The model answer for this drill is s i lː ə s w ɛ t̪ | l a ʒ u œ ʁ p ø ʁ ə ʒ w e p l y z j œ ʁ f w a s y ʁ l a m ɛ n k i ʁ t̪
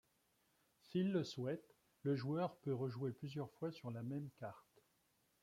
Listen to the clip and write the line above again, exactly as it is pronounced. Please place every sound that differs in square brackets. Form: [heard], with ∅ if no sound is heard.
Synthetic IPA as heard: s i lː ə s w ɛ t̪ | l [ə] ʒ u œ ʁ p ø ʁ ə ʒ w e p l y z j œ ʁ f w a s y ʁ l a m ɛ [m] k [a] ʁ t̪